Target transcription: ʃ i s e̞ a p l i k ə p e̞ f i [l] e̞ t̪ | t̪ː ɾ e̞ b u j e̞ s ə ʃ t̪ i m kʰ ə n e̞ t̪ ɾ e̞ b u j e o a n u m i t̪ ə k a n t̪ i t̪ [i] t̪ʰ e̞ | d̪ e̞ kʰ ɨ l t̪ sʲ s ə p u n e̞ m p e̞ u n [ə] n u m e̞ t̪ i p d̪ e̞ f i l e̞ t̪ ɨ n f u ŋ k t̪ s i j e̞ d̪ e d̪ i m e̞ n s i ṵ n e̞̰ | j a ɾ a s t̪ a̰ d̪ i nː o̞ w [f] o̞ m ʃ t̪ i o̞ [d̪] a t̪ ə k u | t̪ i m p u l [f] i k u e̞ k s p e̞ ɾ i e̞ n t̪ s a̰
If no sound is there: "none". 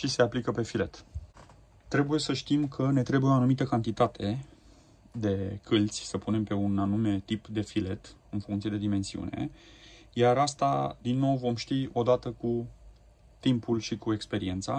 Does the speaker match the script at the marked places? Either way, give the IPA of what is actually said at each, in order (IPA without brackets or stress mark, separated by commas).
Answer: l, a, a, v, d̪, ʃ